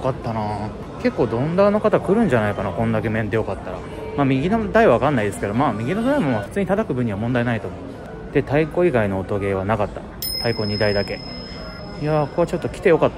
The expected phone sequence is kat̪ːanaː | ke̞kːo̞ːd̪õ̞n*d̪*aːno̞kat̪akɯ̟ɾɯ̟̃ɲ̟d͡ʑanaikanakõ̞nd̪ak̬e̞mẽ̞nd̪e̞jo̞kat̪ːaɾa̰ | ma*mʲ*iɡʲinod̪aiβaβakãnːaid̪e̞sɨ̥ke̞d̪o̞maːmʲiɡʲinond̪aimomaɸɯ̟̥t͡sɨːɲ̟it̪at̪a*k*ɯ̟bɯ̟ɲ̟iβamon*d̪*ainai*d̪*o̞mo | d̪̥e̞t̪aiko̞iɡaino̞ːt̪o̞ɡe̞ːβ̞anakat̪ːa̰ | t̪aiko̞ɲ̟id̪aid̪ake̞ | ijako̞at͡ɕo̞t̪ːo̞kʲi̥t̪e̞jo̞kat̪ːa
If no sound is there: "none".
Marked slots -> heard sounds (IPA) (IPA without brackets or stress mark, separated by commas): d̪, mʲ, k, d̪, t̪